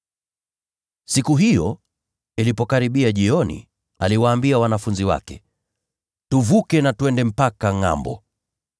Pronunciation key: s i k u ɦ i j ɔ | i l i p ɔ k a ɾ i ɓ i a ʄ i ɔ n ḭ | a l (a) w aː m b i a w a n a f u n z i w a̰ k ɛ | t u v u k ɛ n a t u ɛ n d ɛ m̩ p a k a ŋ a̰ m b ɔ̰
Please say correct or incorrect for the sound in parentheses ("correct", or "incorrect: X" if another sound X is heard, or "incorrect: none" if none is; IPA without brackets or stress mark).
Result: incorrect: i